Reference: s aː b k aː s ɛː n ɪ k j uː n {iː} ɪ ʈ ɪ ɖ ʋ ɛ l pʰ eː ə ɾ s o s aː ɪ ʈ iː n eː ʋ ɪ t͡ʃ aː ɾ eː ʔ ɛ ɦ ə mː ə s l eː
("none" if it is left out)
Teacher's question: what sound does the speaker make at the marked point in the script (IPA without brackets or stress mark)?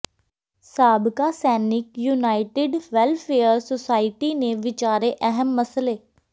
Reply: aː